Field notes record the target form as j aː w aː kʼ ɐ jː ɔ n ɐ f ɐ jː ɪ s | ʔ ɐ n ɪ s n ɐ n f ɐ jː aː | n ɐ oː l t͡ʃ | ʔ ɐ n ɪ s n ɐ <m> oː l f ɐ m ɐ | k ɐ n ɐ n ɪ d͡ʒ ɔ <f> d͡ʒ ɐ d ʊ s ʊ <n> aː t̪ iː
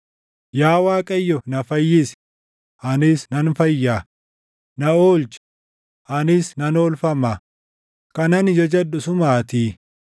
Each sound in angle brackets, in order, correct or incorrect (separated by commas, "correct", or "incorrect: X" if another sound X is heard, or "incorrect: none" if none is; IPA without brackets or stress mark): incorrect: n, incorrect: none, incorrect: m